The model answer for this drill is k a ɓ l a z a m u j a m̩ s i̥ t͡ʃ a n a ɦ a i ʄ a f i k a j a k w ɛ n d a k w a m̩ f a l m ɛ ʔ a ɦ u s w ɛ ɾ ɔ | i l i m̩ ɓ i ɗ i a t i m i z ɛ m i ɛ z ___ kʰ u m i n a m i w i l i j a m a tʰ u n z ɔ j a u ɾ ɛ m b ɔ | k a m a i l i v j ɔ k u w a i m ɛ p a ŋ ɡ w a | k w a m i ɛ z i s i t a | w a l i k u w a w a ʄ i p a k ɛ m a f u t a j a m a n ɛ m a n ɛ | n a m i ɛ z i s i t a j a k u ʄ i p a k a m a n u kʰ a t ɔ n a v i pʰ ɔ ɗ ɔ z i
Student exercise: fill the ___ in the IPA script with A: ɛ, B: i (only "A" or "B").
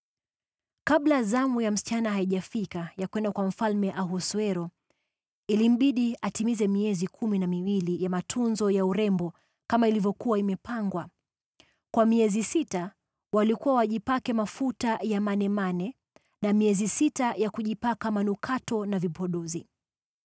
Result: B